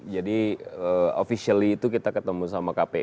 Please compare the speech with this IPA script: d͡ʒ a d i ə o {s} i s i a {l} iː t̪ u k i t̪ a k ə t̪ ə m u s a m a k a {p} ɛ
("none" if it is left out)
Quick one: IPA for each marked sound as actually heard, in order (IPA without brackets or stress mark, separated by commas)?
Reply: f, l, p